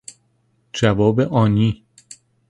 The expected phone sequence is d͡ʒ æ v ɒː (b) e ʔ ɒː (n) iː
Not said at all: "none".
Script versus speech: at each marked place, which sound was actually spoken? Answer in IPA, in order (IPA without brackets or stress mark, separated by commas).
b, n